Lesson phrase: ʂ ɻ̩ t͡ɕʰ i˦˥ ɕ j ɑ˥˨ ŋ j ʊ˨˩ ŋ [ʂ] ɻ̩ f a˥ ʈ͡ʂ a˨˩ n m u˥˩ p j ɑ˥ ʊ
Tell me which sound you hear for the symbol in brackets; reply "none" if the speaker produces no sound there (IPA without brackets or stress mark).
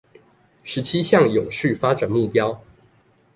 ʂ